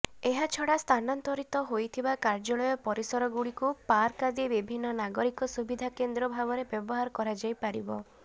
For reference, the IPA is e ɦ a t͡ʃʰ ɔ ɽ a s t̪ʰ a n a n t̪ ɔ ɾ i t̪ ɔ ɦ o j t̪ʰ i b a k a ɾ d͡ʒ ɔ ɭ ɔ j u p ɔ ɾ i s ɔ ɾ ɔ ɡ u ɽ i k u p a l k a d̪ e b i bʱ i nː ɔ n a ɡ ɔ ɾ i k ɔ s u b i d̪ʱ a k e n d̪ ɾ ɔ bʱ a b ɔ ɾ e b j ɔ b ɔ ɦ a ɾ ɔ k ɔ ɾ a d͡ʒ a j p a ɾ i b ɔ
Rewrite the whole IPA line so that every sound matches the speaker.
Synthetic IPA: e ɦ a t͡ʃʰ ɔ ɽ a s t̪ʰ a n a n t̪ ɔ ɾ i t̪ ɔ ɦ o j t̪ʰ i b a k a ɾ d͡ʒ ɔ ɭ ɔ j ɔ p ɔ ɾ i s ɔ ɾ ɔ ɡ u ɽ i k u p a ɾ k a d̪ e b i bʱ i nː ɔ n a ɡ ɔ ɾ i k ɔ s u b i d̪ʱ a k e n d̪ ɾ ɔ bʱ a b ɔ ɾ e b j ɔ b ɔ ɦ a ɾ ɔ k ɔ ɾ a d͡ʒ a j p a ɾ i b ɔ